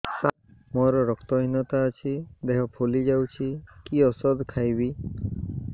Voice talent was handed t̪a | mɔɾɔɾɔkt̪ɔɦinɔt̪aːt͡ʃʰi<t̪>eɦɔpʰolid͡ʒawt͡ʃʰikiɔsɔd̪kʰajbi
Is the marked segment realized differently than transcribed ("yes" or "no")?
yes